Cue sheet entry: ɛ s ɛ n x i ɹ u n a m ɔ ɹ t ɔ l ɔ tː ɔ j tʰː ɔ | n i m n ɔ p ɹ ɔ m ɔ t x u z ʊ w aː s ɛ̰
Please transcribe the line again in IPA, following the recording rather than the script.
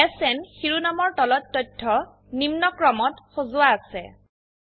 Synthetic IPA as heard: ɛ s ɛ n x i ɹ u n a m ɔ ɹ t ɔ l ɔ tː ɔ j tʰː ɔ | n i m n ɔ k ɹ ɔ m ɔ t x o z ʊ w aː s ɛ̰